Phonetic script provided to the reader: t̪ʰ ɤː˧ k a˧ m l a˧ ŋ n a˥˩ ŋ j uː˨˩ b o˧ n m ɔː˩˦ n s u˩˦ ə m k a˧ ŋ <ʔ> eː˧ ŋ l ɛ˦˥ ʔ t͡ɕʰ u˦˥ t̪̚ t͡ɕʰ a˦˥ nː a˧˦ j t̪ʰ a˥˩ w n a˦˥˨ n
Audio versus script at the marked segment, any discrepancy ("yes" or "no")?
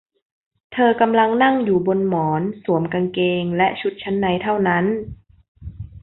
yes